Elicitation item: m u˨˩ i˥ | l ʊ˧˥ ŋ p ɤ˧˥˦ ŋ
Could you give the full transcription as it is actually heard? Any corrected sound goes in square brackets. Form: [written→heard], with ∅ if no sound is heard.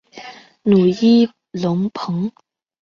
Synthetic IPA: [m→n] u˨˩ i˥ | l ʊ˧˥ ŋ [p→pʰ] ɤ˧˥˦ ŋ